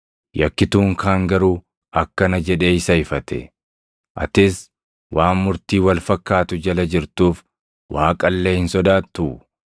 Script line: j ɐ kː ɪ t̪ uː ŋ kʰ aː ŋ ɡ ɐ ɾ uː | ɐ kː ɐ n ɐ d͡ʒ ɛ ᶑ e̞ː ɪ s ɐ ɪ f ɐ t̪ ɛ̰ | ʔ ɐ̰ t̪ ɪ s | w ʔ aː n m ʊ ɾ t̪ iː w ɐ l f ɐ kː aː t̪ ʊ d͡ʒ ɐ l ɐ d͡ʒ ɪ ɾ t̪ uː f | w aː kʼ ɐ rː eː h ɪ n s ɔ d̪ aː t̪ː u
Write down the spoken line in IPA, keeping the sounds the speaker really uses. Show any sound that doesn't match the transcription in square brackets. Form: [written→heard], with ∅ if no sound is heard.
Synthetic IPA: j ɐ kː ɪ t̪ uː ŋ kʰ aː ŋ ɡ ɐ ɾ uː | ɐ kː ɐ n ɐ d͡ʒ ɛ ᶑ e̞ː ɪ s ɐ ɪ f ɐ t̪ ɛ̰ | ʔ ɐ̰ t̪ ɪ s | w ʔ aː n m ʊ ɾ t̪ iː w ɐ l f ɐ kː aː t̪ ʊ d͡ʒ ɐ l ɐ d͡ʒ ɪ ɾ t̪ uː f | w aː kʼ ɐ [rː→lː] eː h ɪ n s ɔ d̪ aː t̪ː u